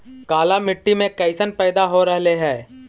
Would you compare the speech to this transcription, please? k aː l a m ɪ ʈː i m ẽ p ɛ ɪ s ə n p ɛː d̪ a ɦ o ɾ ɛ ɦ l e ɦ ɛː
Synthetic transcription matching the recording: k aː l a m ɪ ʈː i m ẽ k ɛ ɪ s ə n p ɛː d̪ a ɦ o ɾ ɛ ɦ l e ɦ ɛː